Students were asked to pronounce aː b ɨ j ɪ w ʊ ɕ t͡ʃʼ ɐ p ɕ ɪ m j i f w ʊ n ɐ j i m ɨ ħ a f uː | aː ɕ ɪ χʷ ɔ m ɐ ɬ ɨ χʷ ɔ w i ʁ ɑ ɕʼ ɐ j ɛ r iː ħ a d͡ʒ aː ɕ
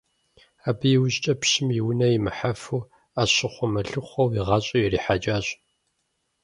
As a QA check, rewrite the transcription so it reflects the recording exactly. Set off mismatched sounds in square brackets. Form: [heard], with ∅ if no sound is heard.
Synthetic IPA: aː b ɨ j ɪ w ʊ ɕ t͡ʃʼ ɐ p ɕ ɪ m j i [∅] w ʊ n ɐ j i m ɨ ħ a f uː | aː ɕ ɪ χʷ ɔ m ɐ ɬ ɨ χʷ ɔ w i ʁ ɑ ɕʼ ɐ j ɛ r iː ħ a d͡ʒ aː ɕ